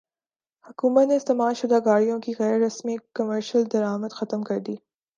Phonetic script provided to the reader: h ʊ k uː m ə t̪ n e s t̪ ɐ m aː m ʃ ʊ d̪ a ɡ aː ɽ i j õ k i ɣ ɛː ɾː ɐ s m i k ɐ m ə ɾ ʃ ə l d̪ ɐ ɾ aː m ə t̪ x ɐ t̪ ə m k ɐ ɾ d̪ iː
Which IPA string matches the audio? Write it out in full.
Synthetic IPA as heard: h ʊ k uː m ə t̪ n e s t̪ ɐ m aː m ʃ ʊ d̪ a ɡ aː ɽ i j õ k i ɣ ɛː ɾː ɐ s m i k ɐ m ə ɾ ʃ ə l d̪ ɐ ɾ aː m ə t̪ x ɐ t̪ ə m k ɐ ɾ d̪ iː

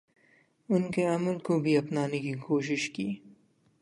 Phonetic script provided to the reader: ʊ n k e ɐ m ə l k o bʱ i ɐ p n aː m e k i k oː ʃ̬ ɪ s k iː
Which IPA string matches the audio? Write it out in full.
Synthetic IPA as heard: ʊ n k e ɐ m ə l k o bʱ i ɐ p n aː n e k i k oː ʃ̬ ɪ ʃ k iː

